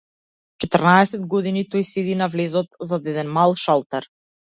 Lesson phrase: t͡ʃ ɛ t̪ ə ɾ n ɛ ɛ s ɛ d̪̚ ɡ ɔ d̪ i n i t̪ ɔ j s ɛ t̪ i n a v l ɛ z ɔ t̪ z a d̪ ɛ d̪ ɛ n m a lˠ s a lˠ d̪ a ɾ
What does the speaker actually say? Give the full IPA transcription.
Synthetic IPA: t͡ʃ ɛ t̪ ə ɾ n a ɛ s ɛ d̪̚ ɡ ɔ d̪ i n i t̪ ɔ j s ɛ d̪ i n a v l ɛ z ɔ t̪ z a d̪ ɛ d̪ ɛ n m a lˠ ʃ a lˠ t̪ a ɾ